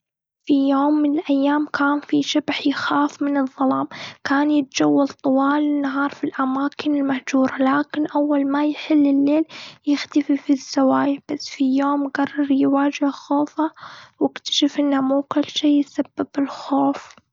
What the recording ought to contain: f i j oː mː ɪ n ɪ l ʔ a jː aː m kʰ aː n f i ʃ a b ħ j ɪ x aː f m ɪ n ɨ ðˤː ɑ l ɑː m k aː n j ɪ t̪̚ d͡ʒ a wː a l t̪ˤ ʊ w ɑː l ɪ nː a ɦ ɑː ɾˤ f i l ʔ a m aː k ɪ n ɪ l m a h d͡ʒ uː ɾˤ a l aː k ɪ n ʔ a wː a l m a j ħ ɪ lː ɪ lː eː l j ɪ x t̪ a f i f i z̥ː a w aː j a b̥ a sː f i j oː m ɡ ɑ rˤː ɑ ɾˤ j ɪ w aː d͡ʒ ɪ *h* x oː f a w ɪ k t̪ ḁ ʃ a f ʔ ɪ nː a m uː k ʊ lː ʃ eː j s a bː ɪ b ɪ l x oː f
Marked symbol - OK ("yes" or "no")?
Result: yes